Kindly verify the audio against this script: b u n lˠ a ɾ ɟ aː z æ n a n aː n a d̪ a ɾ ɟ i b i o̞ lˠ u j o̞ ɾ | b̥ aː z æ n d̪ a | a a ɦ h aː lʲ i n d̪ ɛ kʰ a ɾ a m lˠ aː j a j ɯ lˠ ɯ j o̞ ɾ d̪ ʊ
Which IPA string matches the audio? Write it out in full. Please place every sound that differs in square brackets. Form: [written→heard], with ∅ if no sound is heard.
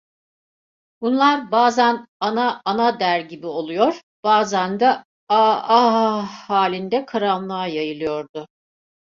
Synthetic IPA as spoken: b u n lˠ a ɾ [ɟ→b] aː z æ n a n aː n a d̪ [a→æ] ɾ ɟ i b i o̞ lˠ u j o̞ ɾ | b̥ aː z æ n d̪ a | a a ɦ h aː lʲ i n d̪ ɛ kʰ a ɾ a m lˠ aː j a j ɯ lˠ ɯ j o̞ ɾ d̪ ʊ